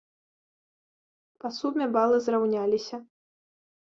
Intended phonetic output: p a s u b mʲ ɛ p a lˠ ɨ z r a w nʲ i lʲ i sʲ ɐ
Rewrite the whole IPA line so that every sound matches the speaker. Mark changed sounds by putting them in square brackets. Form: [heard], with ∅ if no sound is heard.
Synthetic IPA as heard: p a s u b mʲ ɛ [b] a lˠ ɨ z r a w nʲ [a] lʲ i sʲ ɐ